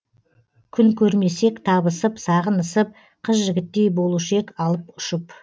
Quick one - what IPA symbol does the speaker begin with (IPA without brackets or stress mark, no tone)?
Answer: kʲʰ